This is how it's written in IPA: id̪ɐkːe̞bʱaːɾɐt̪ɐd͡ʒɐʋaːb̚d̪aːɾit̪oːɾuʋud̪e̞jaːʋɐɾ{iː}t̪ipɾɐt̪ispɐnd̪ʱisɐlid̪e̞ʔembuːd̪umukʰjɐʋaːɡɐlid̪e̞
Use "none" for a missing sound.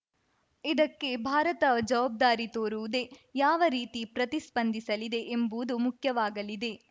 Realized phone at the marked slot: iː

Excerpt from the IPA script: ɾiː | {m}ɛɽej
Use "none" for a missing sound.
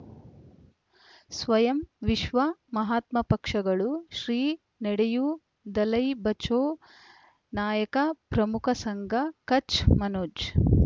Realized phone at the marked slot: n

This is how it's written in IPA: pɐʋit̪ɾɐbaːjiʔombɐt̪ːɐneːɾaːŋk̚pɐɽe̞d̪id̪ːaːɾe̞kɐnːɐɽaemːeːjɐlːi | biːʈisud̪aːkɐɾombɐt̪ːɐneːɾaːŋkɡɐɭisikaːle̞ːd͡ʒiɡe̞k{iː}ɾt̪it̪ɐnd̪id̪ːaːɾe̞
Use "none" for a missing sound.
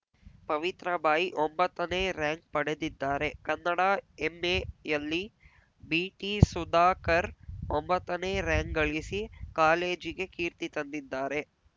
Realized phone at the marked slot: iː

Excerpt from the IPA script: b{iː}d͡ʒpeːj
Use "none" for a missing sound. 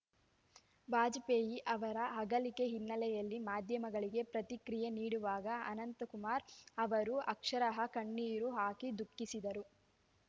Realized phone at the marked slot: aː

